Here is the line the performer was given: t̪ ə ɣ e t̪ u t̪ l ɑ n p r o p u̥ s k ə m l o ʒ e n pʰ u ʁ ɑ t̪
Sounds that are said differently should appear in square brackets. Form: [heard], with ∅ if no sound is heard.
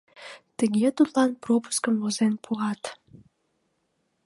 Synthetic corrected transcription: t̪ ə ɣ e t̪ u t̪ l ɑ n p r o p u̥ s k ə m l o [z] e n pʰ u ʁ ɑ t̪